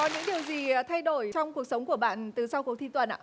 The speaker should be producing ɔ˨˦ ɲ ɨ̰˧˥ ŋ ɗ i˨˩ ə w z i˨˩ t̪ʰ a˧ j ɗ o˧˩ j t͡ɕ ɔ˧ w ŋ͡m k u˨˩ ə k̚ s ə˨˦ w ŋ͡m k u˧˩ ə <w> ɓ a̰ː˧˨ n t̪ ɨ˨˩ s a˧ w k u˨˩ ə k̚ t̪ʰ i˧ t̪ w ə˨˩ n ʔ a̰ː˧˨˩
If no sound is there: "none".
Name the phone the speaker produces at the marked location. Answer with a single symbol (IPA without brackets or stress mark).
none